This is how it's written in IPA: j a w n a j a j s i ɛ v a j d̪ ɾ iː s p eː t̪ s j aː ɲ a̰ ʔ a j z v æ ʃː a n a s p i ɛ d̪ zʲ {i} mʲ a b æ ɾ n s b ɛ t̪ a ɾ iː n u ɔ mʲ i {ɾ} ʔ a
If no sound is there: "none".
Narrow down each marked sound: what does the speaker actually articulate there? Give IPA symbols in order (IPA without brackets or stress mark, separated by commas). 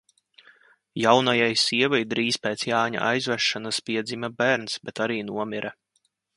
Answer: i, ɾ